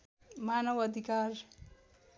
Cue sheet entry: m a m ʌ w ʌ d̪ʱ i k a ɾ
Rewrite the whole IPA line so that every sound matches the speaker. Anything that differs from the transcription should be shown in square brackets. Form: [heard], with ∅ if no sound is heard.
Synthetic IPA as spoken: m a [n] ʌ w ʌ d̪ʱ i k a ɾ